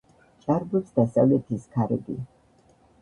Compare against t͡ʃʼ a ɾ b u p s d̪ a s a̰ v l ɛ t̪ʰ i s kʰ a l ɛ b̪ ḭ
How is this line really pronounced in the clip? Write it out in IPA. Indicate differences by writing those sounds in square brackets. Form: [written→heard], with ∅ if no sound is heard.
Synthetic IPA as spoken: t͡ʃʼ a ɾ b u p s d̪ a s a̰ v l ɛ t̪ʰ i s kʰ a [l→ɾ] ɛ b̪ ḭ